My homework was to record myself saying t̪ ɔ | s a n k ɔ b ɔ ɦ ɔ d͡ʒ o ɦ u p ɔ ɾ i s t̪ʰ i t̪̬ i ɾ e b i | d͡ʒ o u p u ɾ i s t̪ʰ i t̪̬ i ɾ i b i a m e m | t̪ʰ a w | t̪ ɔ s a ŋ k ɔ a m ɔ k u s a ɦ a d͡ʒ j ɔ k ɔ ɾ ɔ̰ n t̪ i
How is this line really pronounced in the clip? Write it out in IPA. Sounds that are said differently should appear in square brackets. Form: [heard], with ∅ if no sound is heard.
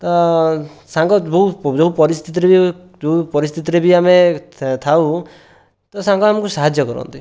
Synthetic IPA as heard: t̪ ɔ | s a [ŋ] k ɔ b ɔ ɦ [u] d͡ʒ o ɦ u p ɔ ɾ i s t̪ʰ i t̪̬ i ɾ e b i | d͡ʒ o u p [ɔ] ɾ i s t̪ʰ i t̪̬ i ɾ [e] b i a m e [∅] | t̪ʰ a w | t̪ ɔ s a ŋ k ɔ a m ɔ k u s a ɦ a d͡ʒ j ɔ k ɔ ɾ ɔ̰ n t̪ i